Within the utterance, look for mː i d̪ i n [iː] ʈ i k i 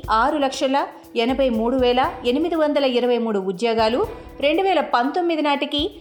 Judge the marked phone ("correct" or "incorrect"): incorrect